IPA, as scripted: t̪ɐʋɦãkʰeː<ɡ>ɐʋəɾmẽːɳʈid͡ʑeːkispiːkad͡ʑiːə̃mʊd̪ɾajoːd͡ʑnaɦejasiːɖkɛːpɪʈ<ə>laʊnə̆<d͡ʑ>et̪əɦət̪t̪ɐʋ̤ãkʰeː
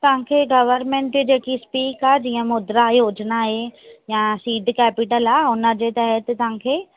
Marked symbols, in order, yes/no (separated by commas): yes, yes, yes